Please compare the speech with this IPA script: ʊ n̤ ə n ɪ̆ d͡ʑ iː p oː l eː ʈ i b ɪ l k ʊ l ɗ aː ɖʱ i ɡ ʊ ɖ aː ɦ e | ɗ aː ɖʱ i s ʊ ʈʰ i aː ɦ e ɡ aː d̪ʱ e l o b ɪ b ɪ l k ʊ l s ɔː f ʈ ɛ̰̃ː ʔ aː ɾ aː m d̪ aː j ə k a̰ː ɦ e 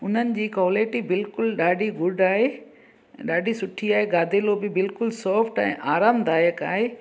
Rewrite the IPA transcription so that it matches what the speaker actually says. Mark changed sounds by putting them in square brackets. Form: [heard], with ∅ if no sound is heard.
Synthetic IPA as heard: ʊ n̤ ə n ɪ̆ d͡ʑ iː [k] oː l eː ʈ i b ɪ l k ʊ l ɗ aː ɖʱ i ɡ ʊ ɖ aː ɦ e | ɗ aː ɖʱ i s ʊ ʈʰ i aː ɦ e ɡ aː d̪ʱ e l o b ɪ b ɪ l k ʊ l s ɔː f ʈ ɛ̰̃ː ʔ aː ɾ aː m d̪ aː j ə k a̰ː ɦ e